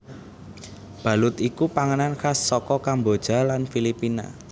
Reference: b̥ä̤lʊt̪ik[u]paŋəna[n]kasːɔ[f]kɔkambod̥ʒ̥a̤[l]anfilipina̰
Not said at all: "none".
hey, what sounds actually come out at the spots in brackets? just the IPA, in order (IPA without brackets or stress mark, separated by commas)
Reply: u, n, none, l